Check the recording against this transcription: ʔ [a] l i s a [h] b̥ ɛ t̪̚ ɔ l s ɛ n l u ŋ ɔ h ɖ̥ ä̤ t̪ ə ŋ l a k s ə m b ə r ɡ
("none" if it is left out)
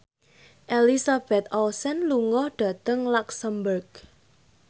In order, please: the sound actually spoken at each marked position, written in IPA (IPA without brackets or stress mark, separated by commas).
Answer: e, none